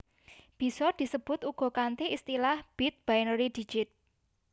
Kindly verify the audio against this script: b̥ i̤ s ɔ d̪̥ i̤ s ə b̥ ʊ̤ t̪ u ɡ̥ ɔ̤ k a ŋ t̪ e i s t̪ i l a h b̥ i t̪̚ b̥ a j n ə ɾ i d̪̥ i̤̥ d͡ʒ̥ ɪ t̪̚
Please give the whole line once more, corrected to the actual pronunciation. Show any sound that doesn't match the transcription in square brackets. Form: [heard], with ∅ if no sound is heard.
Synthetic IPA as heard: b̥ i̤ s ɔ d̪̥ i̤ s ə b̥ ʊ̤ t̪ u ɡ̥ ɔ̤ k a [n] t̪ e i s t̪ i l a h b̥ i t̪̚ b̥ a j n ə ɾ i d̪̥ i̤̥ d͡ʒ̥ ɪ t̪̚